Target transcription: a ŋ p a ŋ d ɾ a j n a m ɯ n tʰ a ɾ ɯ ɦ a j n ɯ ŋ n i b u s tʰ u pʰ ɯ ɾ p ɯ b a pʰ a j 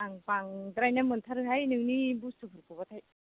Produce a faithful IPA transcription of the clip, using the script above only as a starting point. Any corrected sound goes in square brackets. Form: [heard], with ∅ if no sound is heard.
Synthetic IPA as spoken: a ŋ p a ŋ d ɾ a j n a m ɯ n tʰ a ɾ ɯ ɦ a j n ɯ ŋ n i b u s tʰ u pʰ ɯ ɾ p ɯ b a [tʰ] a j